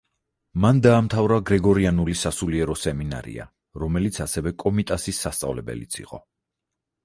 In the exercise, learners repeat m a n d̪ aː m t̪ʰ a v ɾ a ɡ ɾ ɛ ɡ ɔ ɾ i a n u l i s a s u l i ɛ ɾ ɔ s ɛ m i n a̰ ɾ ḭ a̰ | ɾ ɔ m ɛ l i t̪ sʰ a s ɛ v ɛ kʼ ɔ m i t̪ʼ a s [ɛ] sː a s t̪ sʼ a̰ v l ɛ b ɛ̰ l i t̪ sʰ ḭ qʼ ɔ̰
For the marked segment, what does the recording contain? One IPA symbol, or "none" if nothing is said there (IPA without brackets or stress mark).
i